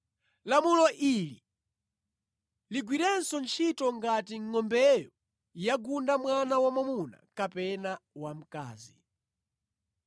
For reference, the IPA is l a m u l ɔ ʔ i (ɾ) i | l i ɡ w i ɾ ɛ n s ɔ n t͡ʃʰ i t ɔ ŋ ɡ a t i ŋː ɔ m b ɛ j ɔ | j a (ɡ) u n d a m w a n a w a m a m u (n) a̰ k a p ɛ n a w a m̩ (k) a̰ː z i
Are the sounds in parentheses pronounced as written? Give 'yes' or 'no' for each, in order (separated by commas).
no, yes, yes, yes